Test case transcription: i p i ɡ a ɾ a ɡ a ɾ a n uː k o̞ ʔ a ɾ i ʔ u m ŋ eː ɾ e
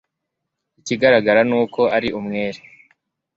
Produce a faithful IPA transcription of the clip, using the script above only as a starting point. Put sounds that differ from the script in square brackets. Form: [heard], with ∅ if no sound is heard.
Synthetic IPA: i [c] i ɡ a ɾ a ɡ a ɾ a n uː k o̞ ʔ a ɾ i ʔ u m ŋ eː ɾ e